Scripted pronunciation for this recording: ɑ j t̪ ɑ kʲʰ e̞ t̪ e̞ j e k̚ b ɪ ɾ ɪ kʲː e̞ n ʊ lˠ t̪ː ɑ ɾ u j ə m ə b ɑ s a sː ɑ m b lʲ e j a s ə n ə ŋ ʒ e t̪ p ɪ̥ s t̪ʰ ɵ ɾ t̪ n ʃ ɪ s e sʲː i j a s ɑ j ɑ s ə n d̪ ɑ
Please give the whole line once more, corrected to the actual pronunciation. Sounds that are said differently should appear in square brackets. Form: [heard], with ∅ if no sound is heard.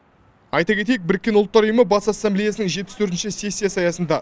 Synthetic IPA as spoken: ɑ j t̪ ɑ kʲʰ e̞ t̪ e̞ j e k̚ b ɪ ɾ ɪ kʲː e̞ n ʊ lˠ t̪ː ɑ ɾ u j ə m ə b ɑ s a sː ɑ m b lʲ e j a s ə n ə ŋ ʒ e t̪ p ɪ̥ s t̪ʰ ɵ ɾ t̪ n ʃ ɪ s e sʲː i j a s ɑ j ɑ s ə n d̪ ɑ